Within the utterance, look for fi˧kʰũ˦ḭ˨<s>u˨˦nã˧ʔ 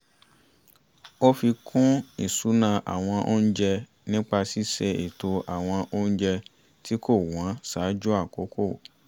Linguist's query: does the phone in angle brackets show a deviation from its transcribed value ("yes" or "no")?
no